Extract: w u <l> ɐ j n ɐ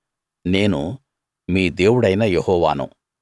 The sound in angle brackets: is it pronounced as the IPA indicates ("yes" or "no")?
no